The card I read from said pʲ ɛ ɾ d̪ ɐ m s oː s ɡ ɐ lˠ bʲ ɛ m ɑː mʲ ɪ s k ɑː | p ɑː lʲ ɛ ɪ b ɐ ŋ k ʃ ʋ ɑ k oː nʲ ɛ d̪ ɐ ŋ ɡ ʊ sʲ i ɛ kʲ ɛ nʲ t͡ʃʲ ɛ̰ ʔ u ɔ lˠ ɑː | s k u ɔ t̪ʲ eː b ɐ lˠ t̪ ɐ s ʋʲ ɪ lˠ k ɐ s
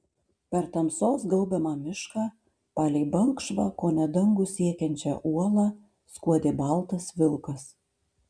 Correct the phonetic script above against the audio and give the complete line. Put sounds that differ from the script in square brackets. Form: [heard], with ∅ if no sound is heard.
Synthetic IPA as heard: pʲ ɛ ɾ [t̪] ɐ m s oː s ɡ ɐ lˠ bʲ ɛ m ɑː mʲ ɪ [ʃ] k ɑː | p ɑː lʲ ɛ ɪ b ɐ ŋ k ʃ ʋ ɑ k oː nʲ ɛ d̪ ɐ ŋ ɡ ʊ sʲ i ɛ kʲ ɛ nʲ t͡ʃʲ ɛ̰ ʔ u ɔ lˠ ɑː | s k u ɔ [d̪ʲ] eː b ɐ lˠ t̪ ɐ s ʋʲ ɪ lˠ k ɐ s